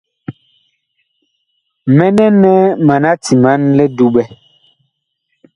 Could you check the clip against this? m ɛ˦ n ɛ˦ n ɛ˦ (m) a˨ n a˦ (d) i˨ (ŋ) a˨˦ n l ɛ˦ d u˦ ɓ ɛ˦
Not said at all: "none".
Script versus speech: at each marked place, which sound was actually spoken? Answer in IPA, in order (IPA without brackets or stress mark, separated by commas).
m, t, m